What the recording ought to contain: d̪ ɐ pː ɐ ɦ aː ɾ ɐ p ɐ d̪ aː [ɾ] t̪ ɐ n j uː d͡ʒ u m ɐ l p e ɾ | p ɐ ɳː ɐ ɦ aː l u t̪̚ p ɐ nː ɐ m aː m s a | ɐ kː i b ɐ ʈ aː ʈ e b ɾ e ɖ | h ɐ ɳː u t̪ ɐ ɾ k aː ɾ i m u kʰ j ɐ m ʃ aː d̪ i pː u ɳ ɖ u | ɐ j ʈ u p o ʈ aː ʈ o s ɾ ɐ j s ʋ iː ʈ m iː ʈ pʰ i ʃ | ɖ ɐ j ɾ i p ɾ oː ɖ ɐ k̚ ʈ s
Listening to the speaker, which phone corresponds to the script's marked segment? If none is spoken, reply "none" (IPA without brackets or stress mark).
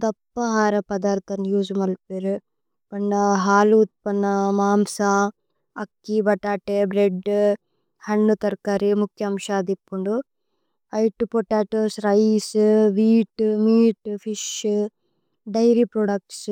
ɾ